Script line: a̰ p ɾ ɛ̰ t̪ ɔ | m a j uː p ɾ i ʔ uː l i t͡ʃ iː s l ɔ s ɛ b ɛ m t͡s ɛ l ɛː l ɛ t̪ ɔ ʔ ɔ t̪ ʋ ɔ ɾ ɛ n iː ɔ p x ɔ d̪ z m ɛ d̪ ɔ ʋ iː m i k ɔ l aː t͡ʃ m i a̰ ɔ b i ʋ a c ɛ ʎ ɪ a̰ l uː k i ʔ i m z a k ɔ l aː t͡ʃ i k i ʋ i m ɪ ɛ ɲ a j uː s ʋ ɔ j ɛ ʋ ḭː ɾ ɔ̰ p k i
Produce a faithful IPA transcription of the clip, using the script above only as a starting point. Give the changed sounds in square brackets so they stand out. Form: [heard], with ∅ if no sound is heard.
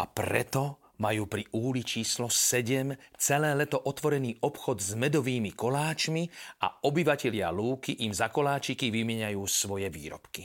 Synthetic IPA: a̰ p ɾ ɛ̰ t̪ ɔ | m a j uː p ɾ i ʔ uː l i t͡ʃ iː s l ɔ s ɛ [ɟ] ɛ m t͡s ɛ l ɛː l ɛ t̪ ɔ ʔ ɔ t̪ ʋ ɔ ɾ ɛ n iː ɔ p x ɔ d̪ z m ɛ d̪ ɔ ʋ iː m i k ɔ l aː t͡ʃ m i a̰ ɔ b i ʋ a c ɛ ʎ ɪ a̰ l uː k i ʔ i m z a k ɔ l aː t͡ʃ i k i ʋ i m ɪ ɛ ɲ a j uː s ʋ ɔ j ɛ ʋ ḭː ɾ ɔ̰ p k i